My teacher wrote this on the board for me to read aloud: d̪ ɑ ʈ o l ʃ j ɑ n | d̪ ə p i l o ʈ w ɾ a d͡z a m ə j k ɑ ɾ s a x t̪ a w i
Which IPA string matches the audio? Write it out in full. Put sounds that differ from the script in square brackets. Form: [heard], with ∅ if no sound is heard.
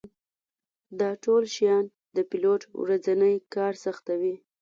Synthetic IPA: d̪ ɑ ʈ o l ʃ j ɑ n | d̪ ə p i l o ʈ w ɾ a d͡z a [n] ə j k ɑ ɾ s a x t̪ a w i

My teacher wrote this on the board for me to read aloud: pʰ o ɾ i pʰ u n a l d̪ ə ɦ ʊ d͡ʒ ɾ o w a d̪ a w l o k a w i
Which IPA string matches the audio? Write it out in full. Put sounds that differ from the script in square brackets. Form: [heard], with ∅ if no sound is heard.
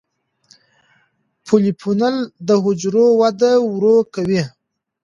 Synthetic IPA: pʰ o [l] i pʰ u n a l d̪ ə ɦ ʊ d͡ʒ ɾ o w a d̪ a w [ɾ] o k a w i

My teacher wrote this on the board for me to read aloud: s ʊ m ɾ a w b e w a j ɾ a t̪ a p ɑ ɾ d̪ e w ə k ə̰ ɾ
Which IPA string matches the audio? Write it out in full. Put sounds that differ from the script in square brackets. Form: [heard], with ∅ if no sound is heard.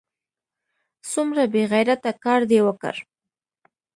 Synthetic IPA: s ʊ m ɾ a [∅] b e [ɣ] a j ɾ a t̪ a [k] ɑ ɾ d̪ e w ə k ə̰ ɾ

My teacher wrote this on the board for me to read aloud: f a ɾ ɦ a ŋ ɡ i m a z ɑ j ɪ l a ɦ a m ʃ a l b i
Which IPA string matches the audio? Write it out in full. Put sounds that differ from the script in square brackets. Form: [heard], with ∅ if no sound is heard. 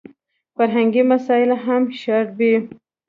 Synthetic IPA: f a ɾ ɦ a ŋ ɡ i m a [s] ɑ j ɪ l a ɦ a m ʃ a [ɾ] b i

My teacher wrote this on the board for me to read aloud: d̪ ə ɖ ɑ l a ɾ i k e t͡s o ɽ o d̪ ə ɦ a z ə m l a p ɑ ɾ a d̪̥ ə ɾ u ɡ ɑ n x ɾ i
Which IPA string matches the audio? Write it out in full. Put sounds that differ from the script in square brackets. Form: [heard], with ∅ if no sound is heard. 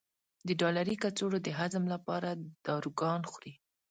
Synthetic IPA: d̪ ə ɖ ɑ l a ɾ i k [a] t͡s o ɽ o d̪ ə ɦ a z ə m l a p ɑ ɾ a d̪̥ [ɑ] ɾ u ɡ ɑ n x ɾ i

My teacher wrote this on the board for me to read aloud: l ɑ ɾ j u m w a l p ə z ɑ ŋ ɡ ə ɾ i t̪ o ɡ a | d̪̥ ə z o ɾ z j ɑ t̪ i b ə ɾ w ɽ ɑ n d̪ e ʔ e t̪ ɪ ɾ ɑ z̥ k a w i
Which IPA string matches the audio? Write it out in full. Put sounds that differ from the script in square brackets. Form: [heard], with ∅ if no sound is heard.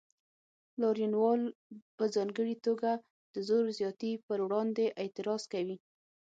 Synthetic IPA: l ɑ ɾ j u [n] w [ɑ] l p ə z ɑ ŋ ɡ ə [ɽ] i t̪ o ɡ a | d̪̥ ə z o ɾ z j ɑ t̪ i [p] ə ɾ w ɽ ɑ n d̪ e ʔ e t̪ ɪ ɾ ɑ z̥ k a w i

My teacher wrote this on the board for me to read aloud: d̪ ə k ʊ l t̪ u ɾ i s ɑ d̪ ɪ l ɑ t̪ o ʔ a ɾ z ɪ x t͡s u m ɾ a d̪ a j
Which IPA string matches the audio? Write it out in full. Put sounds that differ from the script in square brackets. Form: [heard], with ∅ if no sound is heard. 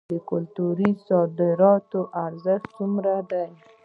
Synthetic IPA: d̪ ə k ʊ l t̪ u ɾ i s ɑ d̪ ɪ [ɾ] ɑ t̪ o ʔ a ɾ z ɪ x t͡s u m ɾ a d̪ a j

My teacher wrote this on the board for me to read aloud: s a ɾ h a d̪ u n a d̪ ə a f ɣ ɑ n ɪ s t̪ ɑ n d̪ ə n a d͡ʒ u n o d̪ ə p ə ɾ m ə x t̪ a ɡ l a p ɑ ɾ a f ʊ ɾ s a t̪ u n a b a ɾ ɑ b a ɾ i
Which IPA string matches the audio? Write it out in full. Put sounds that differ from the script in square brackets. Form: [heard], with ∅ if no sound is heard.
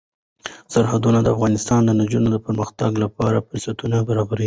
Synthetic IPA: s a ɾ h a d̪ u n a d̪ ə a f ɣ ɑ n ɪ s t̪ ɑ n d̪ ə n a d͡ʒ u n o d̪ ə p ə ɾ m ə x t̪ a ɡ l a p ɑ ɾ a f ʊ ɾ s a t̪ u n a b a ɾ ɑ b a ɾ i

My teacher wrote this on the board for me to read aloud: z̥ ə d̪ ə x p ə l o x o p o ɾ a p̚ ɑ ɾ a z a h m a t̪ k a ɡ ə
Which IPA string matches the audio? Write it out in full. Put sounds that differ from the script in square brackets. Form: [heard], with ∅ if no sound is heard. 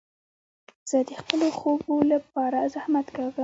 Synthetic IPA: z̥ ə d̪ ə x p ə l o x o [b] o [l] a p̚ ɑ ɾ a z a h m a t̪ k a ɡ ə

